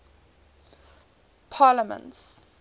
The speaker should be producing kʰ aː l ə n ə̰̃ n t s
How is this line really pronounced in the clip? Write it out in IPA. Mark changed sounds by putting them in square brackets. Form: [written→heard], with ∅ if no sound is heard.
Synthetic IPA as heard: [kʰ→pʰ] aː l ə [n→m] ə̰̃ n t s